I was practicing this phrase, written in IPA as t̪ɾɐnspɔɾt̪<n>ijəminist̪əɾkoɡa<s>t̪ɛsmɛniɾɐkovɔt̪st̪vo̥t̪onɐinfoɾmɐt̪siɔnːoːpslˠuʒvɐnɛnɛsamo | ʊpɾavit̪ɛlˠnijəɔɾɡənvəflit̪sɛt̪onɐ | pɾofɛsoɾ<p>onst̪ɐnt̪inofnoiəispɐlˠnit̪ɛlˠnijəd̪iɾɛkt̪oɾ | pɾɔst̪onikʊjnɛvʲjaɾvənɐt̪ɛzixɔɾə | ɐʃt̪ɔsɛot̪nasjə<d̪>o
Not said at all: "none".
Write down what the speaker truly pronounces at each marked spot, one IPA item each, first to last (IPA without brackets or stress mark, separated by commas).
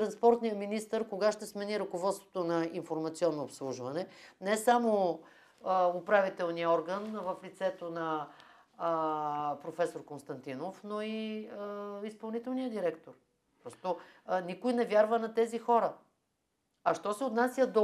n, ʃ, k, d̪